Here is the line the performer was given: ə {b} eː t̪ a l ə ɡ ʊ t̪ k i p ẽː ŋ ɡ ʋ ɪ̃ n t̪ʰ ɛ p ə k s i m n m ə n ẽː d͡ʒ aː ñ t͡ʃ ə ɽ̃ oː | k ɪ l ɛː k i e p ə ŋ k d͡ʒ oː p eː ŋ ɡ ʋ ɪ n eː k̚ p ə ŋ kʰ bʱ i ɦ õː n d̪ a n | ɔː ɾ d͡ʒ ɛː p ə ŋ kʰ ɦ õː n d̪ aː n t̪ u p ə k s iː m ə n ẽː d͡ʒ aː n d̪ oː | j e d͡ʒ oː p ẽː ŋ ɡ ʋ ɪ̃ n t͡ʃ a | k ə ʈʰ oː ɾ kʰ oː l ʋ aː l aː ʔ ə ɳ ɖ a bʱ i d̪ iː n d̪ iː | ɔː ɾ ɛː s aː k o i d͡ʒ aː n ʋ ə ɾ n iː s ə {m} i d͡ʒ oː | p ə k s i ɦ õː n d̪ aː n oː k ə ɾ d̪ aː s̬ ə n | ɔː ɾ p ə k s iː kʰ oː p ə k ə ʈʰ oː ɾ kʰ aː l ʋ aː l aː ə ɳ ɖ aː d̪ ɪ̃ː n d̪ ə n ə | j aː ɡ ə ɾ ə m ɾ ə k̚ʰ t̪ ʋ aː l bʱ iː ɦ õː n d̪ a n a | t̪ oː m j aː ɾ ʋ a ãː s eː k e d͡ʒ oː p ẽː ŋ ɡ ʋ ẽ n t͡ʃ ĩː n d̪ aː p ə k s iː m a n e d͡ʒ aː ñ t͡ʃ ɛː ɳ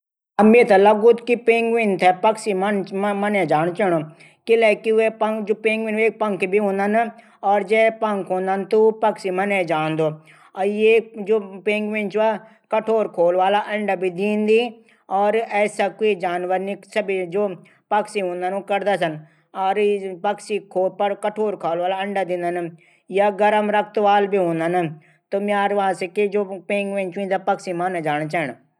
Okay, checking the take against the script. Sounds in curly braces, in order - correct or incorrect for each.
incorrect, incorrect

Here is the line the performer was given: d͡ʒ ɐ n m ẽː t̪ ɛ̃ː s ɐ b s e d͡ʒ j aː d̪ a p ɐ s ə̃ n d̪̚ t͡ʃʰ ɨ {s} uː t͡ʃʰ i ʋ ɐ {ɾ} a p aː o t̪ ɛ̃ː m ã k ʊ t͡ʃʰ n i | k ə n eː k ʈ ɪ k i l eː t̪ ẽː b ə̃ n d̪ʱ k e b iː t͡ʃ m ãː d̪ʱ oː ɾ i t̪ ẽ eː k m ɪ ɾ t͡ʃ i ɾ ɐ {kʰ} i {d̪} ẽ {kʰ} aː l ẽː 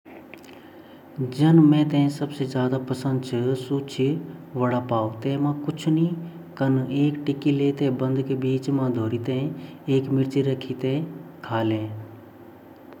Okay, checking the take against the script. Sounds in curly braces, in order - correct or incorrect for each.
correct, incorrect, correct, incorrect, correct

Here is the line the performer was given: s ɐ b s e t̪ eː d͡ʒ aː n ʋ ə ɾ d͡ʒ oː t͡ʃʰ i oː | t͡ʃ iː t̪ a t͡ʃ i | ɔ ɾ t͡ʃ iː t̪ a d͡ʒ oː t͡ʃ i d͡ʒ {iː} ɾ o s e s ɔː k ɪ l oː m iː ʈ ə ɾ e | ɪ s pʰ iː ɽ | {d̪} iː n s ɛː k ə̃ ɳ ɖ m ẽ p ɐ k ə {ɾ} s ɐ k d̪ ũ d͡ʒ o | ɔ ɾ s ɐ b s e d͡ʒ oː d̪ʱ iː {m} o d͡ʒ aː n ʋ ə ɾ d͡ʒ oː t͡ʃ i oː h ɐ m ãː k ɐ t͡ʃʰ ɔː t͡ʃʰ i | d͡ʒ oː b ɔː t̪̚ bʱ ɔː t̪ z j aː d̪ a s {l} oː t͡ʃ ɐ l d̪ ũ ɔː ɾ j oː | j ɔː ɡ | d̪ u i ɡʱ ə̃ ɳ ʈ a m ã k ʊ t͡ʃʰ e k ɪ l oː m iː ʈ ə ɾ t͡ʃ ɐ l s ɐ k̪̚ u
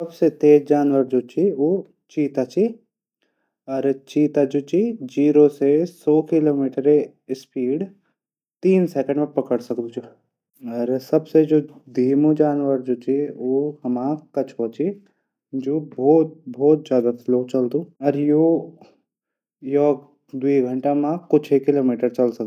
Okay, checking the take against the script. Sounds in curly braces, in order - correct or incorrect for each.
correct, incorrect, incorrect, correct, correct

